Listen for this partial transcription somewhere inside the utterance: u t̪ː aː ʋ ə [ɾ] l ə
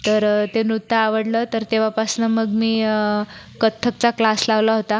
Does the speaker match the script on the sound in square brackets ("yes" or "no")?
no